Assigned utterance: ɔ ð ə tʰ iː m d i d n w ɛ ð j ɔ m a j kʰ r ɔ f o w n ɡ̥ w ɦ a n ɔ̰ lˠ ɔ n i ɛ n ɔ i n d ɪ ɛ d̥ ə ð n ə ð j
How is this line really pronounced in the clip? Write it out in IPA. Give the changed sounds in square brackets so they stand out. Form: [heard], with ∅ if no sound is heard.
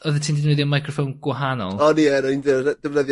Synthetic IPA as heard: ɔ ð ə tʰ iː [n] d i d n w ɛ ð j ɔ m a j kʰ r ɔ f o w n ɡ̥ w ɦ a n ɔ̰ lˠ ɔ n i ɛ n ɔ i n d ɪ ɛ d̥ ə [v] n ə ð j

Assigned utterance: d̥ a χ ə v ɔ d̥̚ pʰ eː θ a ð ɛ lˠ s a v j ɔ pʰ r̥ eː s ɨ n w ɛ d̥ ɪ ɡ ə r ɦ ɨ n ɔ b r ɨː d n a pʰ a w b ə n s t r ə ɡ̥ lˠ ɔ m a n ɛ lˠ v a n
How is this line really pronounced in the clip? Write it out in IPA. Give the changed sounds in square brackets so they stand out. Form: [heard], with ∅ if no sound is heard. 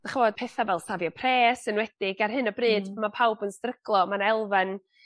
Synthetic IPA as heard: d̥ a χ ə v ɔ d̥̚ pʰ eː θ a [v] ɛ lˠ s a v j ɔ pʰ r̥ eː s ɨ n w ɛ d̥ ɪ ɡ [a] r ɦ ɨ n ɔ b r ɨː d [m] a pʰ a w b ə n s t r ə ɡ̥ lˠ ɔ m a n ɛ lˠ v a n

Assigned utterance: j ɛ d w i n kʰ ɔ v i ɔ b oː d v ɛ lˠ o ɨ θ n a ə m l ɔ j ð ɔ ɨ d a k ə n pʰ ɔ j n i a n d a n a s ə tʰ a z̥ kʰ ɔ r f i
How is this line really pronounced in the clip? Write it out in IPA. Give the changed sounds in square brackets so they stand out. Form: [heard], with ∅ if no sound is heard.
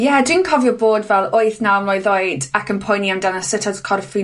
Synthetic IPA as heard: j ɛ d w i n kʰ ɔ v [j] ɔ b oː d v ɛ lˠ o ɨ θ n a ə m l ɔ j ð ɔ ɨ d a k ə n pʰ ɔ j n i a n d a n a s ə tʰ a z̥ kʰ ɔ r f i

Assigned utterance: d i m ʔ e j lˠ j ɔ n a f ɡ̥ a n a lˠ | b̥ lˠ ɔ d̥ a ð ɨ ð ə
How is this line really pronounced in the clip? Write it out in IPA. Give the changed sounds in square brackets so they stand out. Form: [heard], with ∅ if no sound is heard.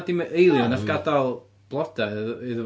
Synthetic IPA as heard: d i m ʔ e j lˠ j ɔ n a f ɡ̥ a [d] a lˠ | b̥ lˠ ɔ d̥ a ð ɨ ð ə

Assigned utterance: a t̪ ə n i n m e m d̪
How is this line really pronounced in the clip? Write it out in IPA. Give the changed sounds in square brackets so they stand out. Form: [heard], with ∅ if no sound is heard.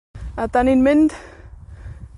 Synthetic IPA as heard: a t̪ [a] n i n m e [n] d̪

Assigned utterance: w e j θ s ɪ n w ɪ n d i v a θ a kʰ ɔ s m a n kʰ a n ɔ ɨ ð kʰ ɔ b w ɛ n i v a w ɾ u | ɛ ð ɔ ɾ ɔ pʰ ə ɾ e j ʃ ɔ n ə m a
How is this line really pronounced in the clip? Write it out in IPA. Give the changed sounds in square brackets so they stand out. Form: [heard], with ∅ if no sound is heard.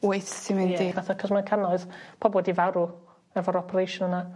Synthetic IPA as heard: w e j θ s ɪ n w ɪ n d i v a θ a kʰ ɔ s m a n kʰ a n ɔ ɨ ð [pʰ] ɔ b w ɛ [d] i v a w ɾ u | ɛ [v] ɔ ɾ ɔ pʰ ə ɾ e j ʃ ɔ n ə [n] a

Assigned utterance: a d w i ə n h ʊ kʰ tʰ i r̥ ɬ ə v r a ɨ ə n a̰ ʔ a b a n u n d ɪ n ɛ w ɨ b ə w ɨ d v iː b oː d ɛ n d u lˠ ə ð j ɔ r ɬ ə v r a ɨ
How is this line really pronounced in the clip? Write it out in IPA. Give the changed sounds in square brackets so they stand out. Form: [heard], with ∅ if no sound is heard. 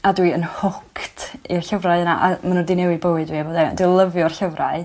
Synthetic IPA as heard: a d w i ə n h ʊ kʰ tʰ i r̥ ɬ ə v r a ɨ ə n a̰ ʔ a [m] a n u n d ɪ n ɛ w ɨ b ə w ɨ d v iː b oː d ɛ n d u lˠ ə [v] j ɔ r ɬ ə v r a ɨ

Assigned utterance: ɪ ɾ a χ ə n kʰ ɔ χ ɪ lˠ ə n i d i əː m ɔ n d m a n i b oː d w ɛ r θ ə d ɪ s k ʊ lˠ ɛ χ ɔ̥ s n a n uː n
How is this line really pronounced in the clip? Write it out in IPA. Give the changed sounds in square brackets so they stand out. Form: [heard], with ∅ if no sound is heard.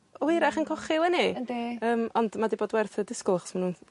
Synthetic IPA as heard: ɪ ɾ a χ ə n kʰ ɔ χ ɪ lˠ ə n i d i əː m ɔ n d m a [d] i b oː d w ɛ r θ ə d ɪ s k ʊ lˠ [a] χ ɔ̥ s [m] a n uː n

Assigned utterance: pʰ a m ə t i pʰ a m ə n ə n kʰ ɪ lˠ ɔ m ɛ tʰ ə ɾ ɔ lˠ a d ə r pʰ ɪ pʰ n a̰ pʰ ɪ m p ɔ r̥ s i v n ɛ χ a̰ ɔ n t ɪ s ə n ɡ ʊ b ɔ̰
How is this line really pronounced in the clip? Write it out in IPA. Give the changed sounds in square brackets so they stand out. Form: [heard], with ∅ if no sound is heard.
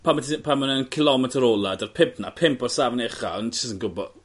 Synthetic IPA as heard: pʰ a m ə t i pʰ a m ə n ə n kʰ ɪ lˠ ɔ m ɛ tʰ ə ɾ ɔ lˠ a d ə r pʰ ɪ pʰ n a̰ pʰ ɪ m p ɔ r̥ s [a] v n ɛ χ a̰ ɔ n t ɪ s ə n ɡ ʊ b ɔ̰

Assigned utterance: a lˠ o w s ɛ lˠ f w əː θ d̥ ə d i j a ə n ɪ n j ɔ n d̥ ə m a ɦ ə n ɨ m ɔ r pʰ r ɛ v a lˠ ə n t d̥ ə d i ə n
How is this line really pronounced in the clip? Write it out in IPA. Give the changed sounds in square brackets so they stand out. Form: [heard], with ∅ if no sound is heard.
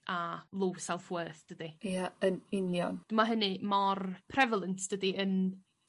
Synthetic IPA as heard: a lˠ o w s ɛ lˠ f w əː θ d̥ ə d i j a ə n ɪ n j ɔ n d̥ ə m a ɦ ə n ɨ m ɔ r pʰ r ɛ v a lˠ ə n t d̥ ə d i ə n

